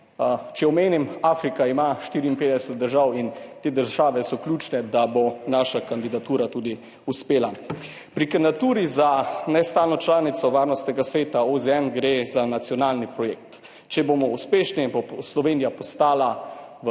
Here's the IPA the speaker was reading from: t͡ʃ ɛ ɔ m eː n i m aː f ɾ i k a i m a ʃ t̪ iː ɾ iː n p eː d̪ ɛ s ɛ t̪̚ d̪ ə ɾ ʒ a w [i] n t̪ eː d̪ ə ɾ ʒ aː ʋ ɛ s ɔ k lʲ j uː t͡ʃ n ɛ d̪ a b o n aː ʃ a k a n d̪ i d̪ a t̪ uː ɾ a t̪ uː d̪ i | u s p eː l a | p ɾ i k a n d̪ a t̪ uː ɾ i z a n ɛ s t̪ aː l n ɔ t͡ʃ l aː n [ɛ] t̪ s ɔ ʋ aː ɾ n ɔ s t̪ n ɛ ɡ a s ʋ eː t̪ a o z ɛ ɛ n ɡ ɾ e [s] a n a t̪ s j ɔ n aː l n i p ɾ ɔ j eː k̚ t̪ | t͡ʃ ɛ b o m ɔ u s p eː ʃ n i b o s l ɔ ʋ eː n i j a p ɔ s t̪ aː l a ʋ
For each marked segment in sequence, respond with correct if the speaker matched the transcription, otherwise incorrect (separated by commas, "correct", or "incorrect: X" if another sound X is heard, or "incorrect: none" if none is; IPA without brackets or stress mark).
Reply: correct, incorrect: i, incorrect: z